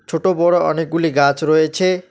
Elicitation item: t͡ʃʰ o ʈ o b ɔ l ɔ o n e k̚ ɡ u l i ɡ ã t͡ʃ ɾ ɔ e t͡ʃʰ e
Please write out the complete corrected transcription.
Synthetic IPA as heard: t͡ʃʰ o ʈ o b ɔ ɽ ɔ ɔ n e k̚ ɡ u l i ɡ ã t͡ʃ ɾ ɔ e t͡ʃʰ e